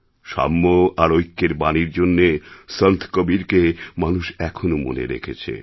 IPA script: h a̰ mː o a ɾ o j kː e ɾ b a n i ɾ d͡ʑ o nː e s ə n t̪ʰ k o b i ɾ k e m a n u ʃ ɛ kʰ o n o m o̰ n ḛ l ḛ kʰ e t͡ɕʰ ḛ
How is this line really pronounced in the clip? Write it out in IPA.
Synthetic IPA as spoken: ʃ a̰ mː o a ɾ o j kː e ɾ b a n i ɾ d͡ʑ o nː e s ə n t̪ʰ k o b i ɾ k e m a n u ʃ ɛ kʰ o n o m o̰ n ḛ ɾ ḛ kʰ e t͡ɕʰ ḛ